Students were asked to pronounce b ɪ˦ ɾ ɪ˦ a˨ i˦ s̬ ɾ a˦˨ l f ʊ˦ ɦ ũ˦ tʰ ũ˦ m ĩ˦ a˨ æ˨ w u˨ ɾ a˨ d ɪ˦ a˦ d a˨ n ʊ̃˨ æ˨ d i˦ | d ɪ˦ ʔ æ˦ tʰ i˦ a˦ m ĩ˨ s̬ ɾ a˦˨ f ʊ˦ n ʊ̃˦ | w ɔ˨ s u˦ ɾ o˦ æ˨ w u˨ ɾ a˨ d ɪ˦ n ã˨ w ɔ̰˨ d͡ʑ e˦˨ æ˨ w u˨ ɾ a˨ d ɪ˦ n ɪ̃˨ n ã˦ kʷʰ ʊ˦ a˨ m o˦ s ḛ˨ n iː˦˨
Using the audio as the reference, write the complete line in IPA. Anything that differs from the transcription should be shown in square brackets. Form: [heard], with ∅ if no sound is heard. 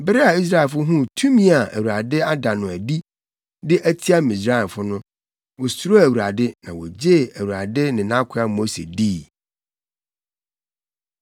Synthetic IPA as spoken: b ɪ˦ ɾ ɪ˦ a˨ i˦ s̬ ɾ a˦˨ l f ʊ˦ ɦ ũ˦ tʰ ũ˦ m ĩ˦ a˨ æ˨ w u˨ ɾ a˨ d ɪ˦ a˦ d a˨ n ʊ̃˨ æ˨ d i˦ | d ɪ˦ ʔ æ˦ tʰ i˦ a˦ m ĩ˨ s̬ ɾ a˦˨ f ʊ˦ n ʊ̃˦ | w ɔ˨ s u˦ ɾ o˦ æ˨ w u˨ ɾ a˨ d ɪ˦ n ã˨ w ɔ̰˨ d͡ʑ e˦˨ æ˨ w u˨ ɾ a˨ d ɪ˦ n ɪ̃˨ n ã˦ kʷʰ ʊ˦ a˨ m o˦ s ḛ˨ [d] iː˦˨